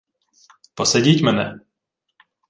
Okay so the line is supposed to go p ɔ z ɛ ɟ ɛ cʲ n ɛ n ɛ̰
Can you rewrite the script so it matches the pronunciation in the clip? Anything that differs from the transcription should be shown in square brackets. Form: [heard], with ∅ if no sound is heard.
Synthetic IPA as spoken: p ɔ [s] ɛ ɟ [i] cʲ [m] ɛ n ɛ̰